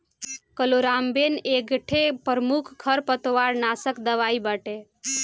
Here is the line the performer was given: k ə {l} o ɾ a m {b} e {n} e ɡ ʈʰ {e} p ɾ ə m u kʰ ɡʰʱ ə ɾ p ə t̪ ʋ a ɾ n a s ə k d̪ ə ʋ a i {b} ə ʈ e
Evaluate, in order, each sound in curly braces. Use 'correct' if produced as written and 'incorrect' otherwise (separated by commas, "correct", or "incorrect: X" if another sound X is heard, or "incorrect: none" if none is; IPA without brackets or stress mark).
correct, correct, correct, correct, correct